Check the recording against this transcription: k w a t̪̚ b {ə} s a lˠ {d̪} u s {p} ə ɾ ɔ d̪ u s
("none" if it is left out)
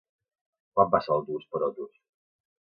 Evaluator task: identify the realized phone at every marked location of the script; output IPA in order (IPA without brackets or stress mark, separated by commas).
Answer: a, d̪, p